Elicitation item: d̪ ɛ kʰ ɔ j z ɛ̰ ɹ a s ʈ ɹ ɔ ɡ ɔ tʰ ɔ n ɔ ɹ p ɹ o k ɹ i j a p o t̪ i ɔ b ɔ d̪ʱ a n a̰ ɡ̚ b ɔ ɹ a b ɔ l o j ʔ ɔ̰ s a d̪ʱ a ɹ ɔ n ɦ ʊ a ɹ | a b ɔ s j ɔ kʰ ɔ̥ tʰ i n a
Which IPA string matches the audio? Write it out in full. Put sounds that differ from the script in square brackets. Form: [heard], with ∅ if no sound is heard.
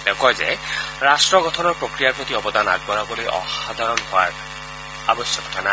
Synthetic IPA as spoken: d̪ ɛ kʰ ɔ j z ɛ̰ ɹ a s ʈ ɹ ɔ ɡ ɔ tʰ ɔ n ɔ ɹ p ɹ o k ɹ i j a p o t̪ i ɔ b ɔ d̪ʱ a n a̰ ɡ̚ b ɔ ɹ a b ɔ l o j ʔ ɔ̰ [x] a d̪ʱ a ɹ ɔ n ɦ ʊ a ɹ | a b ɔ s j ɔ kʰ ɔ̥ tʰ [a] n a